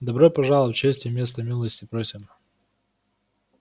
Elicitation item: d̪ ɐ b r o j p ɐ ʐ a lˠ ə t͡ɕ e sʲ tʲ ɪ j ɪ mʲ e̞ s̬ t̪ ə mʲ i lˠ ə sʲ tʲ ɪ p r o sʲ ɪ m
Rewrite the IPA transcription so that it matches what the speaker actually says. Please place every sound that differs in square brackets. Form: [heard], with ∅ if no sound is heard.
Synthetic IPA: d̪ ɐ b [ɾ] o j p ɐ ʐ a lˠ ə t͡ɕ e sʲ tʲ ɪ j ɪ mʲ e̞ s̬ t̪ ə mʲ i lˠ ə sʲ tʲ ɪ p [ɾ] o sʲ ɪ m